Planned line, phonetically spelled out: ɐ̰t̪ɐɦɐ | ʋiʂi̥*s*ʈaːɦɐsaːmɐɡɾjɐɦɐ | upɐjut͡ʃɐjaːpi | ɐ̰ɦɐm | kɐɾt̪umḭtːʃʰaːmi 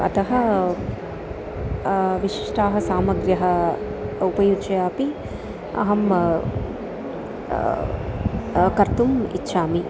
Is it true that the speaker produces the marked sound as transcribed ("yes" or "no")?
no